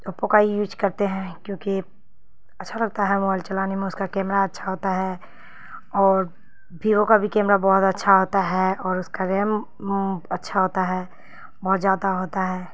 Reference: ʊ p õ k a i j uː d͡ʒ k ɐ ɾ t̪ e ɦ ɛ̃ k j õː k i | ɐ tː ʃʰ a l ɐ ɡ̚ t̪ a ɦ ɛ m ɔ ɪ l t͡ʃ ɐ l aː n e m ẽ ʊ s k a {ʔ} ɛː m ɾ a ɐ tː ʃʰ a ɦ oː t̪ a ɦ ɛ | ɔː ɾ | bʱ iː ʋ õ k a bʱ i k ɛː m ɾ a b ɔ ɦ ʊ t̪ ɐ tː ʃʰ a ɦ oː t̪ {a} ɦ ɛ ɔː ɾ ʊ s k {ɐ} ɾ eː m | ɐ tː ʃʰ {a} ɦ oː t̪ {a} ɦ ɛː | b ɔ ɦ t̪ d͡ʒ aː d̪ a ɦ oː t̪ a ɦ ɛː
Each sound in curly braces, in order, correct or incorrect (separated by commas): incorrect, correct, incorrect, correct, correct